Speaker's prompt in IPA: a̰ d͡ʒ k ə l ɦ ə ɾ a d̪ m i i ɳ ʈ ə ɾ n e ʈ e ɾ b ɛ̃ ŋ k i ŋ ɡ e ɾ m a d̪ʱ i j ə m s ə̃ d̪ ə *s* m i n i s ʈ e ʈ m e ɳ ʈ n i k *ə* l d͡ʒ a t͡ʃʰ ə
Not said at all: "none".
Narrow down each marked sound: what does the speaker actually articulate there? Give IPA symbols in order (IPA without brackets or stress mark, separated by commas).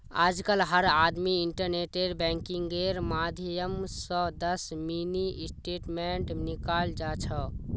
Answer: s, a